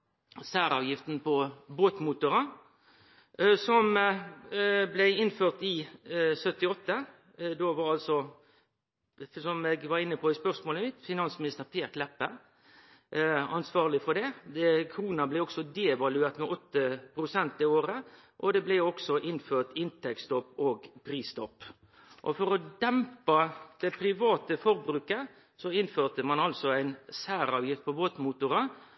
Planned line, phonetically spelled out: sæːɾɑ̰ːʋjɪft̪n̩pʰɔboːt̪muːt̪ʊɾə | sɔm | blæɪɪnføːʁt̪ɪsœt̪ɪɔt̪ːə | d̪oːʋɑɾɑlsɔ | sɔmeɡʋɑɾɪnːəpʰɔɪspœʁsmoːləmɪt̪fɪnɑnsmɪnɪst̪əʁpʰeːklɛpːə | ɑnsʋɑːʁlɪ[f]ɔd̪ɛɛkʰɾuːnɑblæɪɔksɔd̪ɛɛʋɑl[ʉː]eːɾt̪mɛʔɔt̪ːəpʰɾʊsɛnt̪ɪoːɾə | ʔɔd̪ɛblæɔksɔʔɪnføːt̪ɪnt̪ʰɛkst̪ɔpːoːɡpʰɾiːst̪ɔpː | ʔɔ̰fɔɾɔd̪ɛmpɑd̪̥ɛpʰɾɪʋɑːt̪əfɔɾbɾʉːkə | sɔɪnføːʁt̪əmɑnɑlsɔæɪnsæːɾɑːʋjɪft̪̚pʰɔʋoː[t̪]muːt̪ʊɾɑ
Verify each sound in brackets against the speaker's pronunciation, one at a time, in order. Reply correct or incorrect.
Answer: correct, incorrect: ʉ, correct

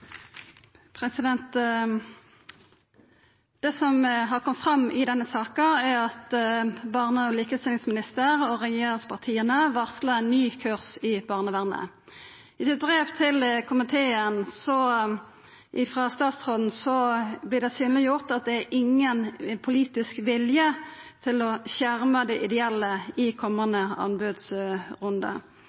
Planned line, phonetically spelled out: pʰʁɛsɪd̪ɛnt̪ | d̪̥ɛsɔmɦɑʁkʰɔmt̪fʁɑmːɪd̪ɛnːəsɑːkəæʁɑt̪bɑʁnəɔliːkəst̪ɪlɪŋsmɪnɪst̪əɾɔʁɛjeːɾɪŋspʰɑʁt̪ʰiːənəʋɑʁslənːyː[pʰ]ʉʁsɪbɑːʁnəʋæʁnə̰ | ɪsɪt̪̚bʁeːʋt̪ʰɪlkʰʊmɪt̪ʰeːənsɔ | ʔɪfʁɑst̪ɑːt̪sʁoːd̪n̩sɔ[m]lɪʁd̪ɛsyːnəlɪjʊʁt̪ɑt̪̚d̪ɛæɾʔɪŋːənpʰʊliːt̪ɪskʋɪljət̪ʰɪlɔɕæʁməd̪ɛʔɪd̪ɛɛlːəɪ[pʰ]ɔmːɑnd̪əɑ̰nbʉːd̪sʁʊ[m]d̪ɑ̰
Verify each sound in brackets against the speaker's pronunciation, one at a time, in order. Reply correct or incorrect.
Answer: incorrect: kʰ, incorrect: b, incorrect: kʰ, incorrect: n

